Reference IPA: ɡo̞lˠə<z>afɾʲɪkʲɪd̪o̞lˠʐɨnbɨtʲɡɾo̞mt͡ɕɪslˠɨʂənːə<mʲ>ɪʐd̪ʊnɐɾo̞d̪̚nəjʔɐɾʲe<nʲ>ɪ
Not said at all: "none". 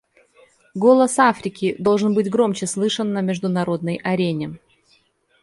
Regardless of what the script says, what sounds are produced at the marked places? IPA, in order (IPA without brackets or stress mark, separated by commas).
s, mʲ, nʲ